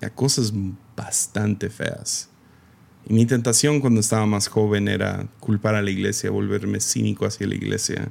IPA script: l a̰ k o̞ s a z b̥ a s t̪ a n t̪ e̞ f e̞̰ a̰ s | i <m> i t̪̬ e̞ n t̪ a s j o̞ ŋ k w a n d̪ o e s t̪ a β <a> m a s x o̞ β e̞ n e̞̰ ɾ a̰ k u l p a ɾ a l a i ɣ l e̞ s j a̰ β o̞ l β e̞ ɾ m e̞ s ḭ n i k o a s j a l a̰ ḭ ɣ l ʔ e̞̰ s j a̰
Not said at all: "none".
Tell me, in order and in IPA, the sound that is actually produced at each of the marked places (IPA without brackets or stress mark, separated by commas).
m, a